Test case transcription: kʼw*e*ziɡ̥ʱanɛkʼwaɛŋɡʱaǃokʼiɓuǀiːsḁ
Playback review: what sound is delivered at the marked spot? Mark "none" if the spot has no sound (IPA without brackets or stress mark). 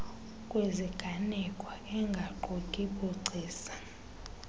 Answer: e